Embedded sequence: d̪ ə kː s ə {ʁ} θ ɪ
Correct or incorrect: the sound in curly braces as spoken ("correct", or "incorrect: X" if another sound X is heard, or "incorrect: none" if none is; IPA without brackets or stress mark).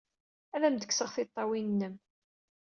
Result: correct